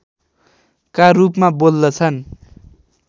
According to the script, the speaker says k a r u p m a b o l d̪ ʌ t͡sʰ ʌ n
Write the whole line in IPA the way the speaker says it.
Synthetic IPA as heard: k a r u p m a b o l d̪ ʌ t͡sʰ ʌ n